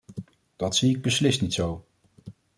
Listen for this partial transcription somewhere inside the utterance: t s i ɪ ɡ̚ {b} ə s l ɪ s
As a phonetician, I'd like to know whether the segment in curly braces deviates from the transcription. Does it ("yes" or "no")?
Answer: no